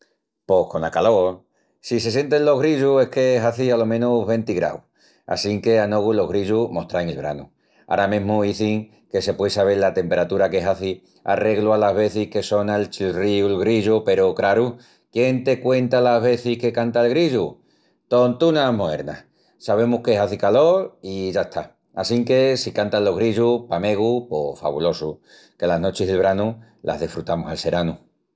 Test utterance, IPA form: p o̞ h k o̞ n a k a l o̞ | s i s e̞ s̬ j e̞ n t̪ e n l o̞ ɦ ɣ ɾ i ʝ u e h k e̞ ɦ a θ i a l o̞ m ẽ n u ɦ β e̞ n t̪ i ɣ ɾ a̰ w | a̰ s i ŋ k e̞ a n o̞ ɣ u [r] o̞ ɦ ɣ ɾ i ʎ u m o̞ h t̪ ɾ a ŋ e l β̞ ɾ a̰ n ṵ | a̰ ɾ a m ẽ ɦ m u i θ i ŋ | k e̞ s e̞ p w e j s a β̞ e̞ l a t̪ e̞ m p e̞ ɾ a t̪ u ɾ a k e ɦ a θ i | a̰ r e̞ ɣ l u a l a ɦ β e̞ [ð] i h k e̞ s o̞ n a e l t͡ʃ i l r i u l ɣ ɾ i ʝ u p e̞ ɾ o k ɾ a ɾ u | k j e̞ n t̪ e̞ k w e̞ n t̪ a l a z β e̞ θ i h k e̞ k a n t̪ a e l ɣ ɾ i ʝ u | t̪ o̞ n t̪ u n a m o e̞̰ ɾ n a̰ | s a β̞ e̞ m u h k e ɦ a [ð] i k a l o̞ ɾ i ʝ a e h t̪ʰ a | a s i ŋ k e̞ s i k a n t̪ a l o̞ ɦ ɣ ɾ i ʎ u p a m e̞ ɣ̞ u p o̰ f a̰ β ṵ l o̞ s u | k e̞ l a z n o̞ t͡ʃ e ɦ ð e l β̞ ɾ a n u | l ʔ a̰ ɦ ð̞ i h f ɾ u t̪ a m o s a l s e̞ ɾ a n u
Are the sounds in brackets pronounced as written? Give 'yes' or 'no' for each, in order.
no, no, no

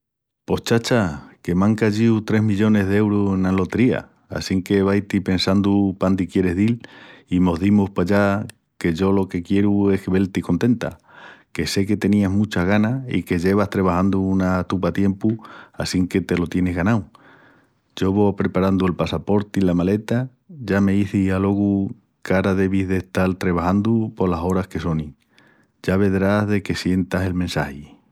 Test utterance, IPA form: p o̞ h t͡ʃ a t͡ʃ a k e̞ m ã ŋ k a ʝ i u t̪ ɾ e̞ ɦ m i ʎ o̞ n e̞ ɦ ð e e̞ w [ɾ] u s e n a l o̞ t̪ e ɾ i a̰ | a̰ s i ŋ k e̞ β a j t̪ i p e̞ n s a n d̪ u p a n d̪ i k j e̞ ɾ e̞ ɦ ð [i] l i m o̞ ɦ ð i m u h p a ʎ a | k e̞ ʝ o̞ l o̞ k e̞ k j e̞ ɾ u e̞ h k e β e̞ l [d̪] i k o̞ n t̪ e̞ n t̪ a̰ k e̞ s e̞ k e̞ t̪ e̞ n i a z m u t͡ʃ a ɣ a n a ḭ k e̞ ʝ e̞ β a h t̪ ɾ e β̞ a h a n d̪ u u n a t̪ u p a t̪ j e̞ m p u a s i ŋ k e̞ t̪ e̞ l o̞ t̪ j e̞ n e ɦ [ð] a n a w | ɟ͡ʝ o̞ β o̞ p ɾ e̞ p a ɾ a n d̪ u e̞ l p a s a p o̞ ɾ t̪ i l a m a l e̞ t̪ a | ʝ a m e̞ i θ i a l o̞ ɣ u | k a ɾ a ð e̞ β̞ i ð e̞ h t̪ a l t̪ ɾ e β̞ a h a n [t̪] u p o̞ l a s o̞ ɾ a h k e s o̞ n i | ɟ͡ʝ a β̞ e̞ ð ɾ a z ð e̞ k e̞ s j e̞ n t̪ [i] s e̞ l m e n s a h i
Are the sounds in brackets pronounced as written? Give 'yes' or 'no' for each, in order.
yes, yes, no, no, no, no

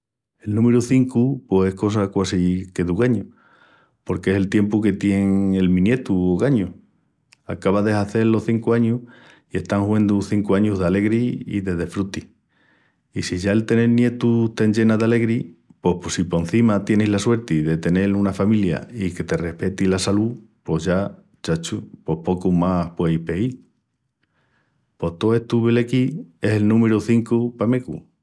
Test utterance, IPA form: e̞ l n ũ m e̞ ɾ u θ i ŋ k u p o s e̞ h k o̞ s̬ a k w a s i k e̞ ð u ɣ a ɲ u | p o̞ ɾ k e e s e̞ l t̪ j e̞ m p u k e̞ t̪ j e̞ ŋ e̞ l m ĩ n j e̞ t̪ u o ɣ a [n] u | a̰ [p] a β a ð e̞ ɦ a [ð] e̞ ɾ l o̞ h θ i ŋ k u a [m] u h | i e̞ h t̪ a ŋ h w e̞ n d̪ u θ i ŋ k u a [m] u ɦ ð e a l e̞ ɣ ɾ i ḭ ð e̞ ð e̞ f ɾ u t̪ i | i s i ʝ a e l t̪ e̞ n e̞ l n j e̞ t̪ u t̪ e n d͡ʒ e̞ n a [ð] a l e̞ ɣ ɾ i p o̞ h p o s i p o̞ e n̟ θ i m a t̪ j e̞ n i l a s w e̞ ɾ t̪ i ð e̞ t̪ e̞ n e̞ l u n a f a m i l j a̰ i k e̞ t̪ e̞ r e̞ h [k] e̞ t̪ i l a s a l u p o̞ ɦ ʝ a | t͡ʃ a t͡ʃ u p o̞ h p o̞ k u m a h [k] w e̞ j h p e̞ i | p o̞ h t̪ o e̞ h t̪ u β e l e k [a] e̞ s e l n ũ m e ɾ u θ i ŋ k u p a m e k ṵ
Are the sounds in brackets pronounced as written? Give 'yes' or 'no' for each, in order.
no, no, no, no, no, yes, no, no, no

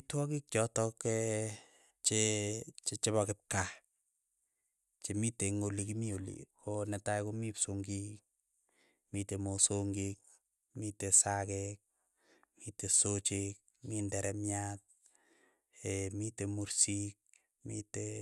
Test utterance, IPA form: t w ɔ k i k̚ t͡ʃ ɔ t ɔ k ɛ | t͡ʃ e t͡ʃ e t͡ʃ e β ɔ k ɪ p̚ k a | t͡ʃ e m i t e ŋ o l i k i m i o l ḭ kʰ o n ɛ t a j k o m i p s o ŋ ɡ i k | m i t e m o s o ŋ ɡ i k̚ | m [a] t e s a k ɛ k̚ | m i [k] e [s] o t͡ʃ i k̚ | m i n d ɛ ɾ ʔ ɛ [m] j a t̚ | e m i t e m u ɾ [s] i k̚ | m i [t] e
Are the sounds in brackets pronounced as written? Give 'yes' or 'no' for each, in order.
no, no, yes, yes, yes, yes

